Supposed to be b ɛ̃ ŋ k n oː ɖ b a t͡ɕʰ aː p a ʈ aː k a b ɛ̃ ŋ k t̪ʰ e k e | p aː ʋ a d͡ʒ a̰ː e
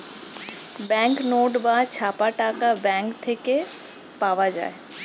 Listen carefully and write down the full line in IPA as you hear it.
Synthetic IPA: b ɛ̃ ŋ k n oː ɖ b a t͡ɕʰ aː p a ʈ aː k a b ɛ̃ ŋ k t̪ʰ e k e | p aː ʋ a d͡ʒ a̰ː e

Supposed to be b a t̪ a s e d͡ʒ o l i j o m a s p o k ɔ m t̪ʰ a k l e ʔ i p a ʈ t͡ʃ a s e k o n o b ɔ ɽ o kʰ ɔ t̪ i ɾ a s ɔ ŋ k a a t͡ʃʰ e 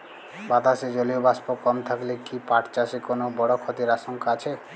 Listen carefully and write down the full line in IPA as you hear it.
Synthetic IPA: b a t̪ a s e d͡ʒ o l i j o b a s p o k ɔ m t̪ʰ a k l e k i p a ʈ t͡ʃ a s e k o n o b ɔ ɽ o kʰ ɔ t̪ i ɾ a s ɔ ŋ k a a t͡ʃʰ e

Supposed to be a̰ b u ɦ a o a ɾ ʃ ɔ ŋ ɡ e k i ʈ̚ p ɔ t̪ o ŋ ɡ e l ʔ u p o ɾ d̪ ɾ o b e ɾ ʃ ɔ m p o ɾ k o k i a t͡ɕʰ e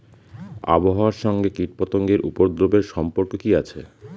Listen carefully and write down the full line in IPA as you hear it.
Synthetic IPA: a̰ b o ɦ a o a ɾ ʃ ɔ ŋ ɡ e k i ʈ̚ p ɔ t̪ o ŋ ɡ e ɾ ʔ u p o ɾ d̪ ɾ o b e ɾ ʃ ɔ m p o ɾ k o k i a t͡ɕʰ e

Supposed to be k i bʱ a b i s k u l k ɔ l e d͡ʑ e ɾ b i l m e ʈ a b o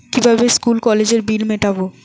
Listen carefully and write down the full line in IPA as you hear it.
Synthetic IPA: k i bʱ a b e s k u l k ɔ l e d͡ʑ e ɾ b i l m e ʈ a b o

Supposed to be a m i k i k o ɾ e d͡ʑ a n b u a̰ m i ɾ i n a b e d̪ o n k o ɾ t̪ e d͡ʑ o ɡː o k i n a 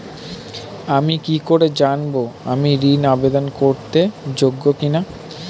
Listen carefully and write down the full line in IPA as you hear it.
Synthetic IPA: a m i k i k o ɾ e d͡ʑ a n b o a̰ m i ɾ i n a b e d̪ o n k o ɾ t̪ e d͡ʑ o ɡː o k i n a

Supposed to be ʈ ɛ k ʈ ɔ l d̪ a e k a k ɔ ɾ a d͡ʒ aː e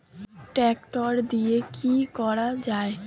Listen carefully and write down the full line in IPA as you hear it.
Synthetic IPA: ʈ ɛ k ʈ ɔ ɾ d̪ i e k i k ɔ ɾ a d͡ʒ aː e

